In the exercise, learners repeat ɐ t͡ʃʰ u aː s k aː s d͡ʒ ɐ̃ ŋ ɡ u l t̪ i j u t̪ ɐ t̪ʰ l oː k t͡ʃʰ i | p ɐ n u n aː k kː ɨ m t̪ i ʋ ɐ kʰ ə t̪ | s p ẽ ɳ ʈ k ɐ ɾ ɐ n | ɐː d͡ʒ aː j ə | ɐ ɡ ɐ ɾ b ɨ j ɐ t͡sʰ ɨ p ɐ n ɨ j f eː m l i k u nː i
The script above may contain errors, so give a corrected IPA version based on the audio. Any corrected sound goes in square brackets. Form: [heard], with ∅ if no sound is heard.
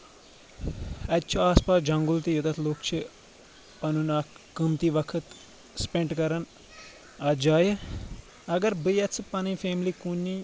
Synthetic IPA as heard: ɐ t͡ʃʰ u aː s [p] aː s d͡ʒ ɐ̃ ŋ ɡ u l t̪ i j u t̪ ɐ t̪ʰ l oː k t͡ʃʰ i | p ɐ n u n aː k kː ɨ m t̪ i ʋ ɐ kʰ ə t̪ | s p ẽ ɳ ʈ k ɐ ɾ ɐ n | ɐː d͡ʒ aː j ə | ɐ ɡ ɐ ɾ b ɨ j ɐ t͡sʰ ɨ p ɐ n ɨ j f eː m l i k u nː i